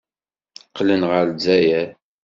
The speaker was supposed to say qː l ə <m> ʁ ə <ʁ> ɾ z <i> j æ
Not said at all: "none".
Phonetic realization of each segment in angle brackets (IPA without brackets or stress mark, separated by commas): n, none, æ